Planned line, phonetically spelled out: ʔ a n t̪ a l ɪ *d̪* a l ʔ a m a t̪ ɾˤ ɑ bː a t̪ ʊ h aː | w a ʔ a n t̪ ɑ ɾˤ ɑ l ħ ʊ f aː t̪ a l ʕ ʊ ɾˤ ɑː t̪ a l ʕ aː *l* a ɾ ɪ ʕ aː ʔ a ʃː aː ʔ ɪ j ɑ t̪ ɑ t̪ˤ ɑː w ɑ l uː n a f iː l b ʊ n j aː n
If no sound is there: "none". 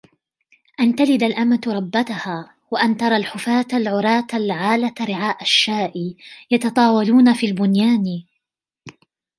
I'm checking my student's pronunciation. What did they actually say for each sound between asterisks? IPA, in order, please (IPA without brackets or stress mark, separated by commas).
d̪, l